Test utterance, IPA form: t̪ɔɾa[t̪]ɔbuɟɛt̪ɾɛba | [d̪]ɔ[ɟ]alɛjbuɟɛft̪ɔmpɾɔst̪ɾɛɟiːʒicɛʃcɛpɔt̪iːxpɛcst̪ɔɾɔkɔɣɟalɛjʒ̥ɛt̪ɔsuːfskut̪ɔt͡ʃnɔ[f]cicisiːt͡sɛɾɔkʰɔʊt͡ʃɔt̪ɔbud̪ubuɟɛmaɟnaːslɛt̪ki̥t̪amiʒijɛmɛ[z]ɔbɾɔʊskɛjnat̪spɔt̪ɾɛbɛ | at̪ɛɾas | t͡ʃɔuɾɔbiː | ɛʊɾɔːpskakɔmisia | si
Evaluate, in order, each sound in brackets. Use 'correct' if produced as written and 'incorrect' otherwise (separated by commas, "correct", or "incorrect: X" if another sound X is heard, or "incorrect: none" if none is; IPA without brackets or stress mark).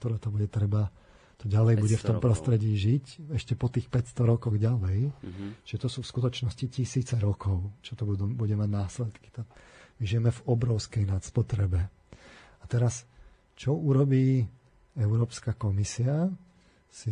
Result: correct, incorrect: t̪, correct, incorrect: s, incorrect: v